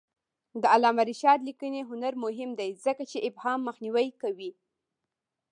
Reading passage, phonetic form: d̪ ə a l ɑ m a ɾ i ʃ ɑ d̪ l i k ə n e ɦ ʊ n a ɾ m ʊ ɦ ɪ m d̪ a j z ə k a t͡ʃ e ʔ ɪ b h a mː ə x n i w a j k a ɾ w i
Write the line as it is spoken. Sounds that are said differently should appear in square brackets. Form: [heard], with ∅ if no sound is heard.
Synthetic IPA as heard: d̪ ə a l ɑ m a ɾ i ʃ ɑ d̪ l i k ə n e ɦ ʊ n a ɾ m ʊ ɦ ɪ m d̪ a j z ə k a t͡ʃ e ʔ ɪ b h [ɑ] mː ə x n i w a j k a [∅] w i